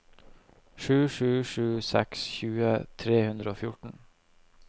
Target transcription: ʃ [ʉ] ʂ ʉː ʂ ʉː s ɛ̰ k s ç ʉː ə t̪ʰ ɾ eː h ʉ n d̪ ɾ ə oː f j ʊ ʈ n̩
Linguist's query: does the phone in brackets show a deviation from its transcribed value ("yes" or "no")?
yes